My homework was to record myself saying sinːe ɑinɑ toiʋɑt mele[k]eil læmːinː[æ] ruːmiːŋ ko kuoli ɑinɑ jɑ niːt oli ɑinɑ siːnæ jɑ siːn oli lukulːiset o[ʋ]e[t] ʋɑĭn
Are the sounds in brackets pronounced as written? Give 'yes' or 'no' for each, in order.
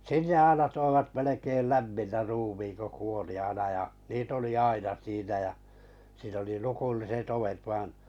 yes, yes, yes, yes

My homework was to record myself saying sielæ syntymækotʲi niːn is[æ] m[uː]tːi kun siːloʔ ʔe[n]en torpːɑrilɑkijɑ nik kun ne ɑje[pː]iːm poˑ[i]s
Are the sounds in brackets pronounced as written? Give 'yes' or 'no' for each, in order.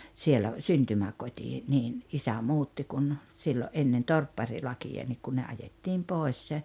yes, yes, no, no, no

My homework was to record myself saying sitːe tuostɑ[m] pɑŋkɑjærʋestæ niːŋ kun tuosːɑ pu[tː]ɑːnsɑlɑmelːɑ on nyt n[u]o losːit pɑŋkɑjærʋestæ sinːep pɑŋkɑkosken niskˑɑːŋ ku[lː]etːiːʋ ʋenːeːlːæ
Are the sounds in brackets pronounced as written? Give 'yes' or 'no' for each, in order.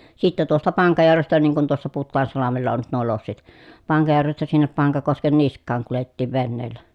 no, yes, yes, no

